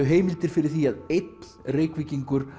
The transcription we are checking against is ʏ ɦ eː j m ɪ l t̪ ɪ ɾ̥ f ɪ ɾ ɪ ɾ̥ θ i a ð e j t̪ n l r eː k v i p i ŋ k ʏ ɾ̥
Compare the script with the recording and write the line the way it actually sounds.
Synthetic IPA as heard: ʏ ɦ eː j m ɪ l t̪ ɪ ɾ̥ f ɪ ɾ ɪ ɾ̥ θ i a ð e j t̪ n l r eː k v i c i ŋ k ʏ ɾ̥